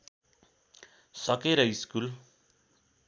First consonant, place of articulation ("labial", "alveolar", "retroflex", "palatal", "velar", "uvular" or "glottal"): alveolar